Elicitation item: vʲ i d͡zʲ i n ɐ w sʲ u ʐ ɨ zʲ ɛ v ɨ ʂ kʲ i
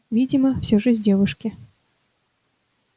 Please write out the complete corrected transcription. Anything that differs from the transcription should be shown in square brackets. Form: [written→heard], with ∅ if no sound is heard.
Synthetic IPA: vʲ i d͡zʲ i [n→m] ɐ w sʲ [u→ɔ] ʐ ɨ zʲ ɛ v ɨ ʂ kʲ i